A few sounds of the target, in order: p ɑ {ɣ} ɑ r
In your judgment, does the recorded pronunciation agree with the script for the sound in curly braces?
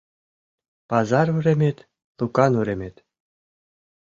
no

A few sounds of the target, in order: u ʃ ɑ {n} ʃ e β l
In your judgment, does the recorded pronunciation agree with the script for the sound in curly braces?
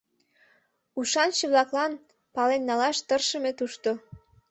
yes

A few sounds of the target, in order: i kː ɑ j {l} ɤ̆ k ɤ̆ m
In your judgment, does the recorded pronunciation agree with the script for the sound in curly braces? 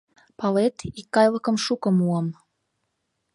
yes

